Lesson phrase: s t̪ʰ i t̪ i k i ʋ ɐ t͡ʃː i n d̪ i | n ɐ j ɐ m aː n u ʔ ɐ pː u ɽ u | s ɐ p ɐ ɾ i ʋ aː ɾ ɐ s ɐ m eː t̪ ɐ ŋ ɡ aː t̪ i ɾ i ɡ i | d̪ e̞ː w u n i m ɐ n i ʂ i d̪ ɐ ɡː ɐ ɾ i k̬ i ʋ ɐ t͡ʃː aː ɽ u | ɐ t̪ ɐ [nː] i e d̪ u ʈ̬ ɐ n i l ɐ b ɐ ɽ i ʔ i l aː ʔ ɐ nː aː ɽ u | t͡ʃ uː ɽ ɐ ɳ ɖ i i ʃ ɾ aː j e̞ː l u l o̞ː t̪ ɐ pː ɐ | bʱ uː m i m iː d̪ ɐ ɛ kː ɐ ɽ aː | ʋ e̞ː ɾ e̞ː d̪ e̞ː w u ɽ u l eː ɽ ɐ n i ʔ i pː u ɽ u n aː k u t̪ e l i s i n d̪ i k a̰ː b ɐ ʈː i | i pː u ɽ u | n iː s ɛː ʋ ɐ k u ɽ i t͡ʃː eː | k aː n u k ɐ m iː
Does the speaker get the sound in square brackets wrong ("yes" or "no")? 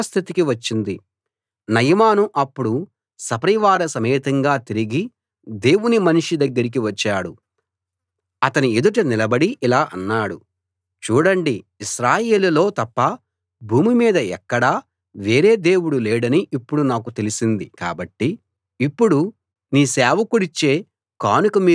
yes